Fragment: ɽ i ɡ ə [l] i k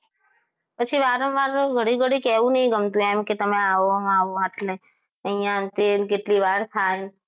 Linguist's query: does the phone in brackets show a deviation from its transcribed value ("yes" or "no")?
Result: yes